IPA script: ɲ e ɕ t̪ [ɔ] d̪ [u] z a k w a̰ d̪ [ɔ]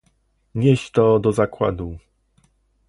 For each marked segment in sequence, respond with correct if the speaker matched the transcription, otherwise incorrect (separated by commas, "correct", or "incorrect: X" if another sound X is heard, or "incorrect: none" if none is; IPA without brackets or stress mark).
correct, incorrect: ɔ, incorrect: u